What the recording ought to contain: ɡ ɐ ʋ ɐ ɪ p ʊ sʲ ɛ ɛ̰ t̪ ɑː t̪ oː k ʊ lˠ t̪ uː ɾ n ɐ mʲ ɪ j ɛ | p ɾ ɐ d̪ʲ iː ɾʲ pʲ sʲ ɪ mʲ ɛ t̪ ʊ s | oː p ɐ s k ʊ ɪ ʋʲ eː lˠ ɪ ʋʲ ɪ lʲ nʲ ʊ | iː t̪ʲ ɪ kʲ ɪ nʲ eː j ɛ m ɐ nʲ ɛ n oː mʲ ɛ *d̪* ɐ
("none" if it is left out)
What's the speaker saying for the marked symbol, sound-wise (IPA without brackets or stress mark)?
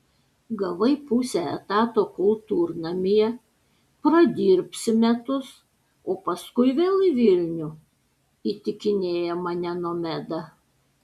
d̪